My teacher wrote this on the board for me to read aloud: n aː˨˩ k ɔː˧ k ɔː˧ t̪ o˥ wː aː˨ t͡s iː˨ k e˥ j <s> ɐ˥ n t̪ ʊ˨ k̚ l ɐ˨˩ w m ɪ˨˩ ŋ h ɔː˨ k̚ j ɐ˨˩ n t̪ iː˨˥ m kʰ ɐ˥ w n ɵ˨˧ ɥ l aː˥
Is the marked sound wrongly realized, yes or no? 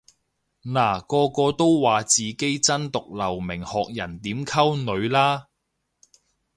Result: yes